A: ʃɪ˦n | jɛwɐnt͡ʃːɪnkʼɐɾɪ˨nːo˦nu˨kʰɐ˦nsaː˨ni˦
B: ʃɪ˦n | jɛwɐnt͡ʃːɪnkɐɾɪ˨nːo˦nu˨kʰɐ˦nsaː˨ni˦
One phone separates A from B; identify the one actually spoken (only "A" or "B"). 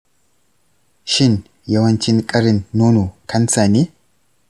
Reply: A